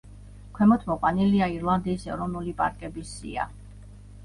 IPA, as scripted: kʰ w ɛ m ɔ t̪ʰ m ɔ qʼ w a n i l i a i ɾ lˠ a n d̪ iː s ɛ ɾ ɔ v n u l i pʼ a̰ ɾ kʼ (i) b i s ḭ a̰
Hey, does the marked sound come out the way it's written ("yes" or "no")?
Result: no